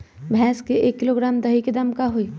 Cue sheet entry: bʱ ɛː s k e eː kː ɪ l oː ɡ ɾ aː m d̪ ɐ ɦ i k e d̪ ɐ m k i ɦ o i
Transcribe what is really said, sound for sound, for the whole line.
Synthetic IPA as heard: bʱ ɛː s k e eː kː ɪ l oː ɡ ɾ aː m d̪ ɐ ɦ i k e d̪ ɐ m k a ɦ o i